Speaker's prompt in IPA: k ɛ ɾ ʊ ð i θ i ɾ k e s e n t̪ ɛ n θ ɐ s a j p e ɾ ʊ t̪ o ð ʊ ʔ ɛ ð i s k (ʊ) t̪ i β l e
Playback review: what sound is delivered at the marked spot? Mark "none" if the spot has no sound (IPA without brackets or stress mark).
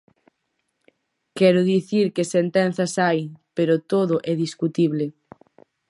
u